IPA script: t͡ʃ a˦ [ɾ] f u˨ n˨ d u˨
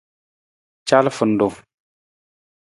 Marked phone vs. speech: incorrect: l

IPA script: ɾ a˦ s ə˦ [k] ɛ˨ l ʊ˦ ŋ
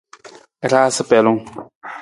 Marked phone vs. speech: incorrect: p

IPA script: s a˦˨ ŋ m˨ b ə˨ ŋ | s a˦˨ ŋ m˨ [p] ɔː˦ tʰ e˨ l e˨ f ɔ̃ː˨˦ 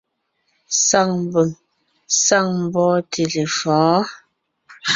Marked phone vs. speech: incorrect: b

